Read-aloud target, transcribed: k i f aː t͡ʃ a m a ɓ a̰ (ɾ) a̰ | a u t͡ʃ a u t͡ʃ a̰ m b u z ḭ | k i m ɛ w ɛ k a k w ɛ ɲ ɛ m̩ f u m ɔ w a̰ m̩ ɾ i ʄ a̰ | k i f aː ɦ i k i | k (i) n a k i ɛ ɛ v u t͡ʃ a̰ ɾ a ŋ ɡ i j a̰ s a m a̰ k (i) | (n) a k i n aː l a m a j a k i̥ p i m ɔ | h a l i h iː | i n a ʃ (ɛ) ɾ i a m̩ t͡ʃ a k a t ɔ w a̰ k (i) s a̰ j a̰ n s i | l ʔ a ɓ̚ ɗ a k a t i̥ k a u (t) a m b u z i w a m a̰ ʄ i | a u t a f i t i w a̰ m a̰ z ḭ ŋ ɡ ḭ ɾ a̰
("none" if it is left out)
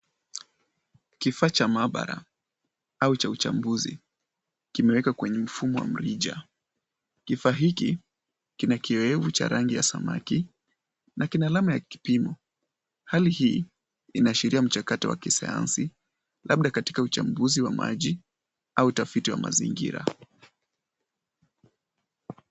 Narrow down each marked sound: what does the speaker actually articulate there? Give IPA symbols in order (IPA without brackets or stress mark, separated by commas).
ɾ, i, i, n, i, i, t͡ʃ